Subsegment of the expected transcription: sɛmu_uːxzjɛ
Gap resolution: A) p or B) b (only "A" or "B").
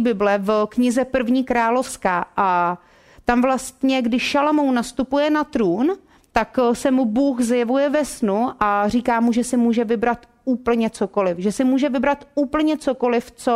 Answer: B